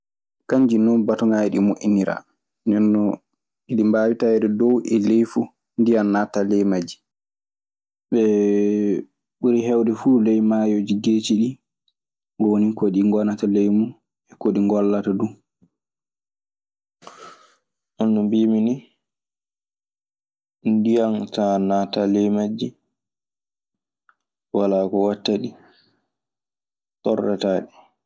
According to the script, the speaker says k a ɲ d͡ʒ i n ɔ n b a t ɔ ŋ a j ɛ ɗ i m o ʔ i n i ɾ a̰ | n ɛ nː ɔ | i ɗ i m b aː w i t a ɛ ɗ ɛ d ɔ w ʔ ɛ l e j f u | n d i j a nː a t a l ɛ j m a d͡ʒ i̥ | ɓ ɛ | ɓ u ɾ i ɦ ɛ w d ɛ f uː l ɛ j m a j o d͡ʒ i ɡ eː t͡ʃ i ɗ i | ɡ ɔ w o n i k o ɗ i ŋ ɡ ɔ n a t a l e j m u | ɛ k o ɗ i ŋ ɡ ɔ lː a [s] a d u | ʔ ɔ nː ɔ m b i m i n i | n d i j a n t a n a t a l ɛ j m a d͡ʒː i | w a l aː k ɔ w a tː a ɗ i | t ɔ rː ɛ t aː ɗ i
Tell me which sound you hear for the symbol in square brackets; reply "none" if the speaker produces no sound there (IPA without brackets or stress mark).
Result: t